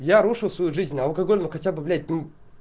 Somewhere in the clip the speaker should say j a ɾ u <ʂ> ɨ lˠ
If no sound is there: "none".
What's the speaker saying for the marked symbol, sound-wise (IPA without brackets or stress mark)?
ʂ